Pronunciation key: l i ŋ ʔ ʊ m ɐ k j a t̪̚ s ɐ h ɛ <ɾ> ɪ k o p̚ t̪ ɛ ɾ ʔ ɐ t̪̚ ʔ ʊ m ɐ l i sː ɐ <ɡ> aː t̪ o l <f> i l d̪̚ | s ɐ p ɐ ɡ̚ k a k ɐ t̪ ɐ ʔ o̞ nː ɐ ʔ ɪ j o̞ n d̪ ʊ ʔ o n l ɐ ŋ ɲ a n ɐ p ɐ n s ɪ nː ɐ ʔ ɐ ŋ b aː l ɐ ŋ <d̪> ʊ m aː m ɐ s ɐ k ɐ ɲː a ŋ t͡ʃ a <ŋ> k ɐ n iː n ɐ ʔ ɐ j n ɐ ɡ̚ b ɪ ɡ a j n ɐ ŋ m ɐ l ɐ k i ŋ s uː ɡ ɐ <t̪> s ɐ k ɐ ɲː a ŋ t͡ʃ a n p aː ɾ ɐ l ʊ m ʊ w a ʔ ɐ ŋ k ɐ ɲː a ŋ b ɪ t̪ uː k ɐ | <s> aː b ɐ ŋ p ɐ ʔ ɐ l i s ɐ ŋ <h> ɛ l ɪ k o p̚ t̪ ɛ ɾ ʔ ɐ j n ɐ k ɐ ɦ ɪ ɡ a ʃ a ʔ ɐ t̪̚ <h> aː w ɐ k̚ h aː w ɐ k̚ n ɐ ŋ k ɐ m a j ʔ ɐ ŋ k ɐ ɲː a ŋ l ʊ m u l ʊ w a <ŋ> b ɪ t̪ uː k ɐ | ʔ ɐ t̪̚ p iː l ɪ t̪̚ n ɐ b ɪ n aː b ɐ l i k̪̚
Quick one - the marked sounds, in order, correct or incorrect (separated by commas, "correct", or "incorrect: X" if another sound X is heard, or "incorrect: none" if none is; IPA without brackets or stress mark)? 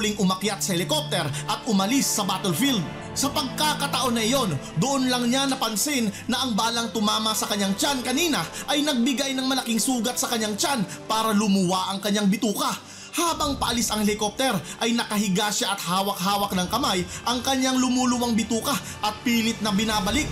incorrect: l, incorrect: b, correct, incorrect: t̪, incorrect: n, correct, incorrect: h, correct, correct, correct